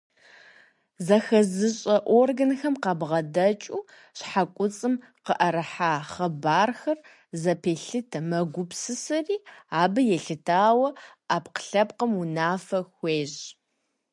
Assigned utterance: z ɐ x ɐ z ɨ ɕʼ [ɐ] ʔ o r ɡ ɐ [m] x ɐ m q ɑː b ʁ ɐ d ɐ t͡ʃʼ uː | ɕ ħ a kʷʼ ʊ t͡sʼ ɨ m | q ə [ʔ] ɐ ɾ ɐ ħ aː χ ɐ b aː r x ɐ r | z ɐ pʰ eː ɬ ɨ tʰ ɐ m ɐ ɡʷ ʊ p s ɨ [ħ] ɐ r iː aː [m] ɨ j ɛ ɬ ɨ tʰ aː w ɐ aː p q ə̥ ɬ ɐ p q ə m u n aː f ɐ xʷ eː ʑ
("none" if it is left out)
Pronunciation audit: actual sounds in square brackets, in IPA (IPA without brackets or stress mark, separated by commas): ɐ, n, ʔ, s, b